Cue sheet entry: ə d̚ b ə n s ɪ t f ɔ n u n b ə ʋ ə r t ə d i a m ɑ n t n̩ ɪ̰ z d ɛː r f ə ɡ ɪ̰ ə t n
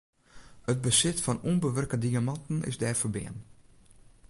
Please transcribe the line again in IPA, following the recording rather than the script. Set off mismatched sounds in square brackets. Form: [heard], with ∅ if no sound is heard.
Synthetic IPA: ə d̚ b ə [∅] s ɪ t f ɔ n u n b ə ʋ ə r [k] ə d i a m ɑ n t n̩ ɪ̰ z d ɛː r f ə [b] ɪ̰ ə [∅] n